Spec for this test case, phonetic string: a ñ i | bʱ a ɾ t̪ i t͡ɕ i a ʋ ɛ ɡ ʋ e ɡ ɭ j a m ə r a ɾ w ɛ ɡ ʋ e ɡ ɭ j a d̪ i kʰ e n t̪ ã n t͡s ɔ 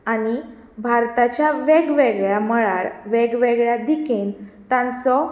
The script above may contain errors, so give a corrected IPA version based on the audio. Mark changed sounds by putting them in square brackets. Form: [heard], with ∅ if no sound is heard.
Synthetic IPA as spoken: a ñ i | bʱ a ɾ t̪ [a] t͡ɕ [j] a ʋ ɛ ɡ ʋ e ɡ ɭ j a m ə [ɭ] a ɾ [ʋ] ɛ ɡ ʋ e ɡ ɭ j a d̪ i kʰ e n t̪ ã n t͡s ɔ